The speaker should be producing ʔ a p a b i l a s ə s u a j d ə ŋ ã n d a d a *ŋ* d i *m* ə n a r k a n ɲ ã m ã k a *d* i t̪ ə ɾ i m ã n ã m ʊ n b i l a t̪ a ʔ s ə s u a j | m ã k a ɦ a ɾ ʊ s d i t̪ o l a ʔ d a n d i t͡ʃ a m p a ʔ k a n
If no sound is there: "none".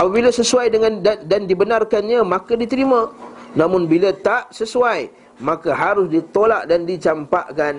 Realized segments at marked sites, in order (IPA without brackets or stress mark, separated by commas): n, b, d